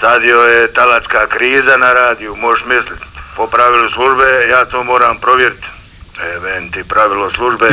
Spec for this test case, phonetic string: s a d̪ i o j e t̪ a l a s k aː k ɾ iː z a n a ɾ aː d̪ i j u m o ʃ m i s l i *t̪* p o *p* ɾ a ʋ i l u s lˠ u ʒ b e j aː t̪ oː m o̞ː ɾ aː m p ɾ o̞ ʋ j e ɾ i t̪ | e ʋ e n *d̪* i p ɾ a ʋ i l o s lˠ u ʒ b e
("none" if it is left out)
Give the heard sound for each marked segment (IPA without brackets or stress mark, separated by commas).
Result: t̪, p, t̪